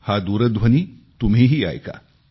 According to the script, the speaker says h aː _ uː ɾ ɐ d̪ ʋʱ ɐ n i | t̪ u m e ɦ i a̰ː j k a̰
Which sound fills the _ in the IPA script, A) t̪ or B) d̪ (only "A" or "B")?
B